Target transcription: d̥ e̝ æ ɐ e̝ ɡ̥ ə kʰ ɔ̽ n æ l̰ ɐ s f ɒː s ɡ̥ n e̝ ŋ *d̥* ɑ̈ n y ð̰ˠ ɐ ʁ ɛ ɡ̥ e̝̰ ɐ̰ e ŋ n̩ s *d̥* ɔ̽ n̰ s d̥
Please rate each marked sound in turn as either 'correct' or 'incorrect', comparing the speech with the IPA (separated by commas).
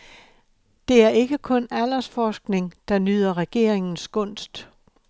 correct, incorrect